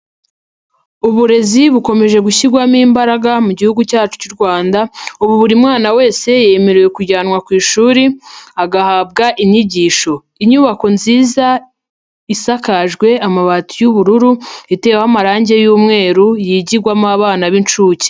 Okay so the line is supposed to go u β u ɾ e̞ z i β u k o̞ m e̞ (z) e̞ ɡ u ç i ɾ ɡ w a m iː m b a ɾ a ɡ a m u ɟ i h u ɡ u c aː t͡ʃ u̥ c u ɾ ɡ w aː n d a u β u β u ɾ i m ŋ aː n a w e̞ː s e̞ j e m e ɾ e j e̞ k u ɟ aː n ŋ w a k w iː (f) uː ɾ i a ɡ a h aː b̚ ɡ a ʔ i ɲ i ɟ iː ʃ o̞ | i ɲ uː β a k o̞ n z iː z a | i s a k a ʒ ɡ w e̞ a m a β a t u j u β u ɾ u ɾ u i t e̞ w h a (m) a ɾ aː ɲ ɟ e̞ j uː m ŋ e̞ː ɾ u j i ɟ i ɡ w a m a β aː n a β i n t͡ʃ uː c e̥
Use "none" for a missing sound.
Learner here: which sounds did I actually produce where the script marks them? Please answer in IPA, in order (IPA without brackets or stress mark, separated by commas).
ʒ, ʃ, m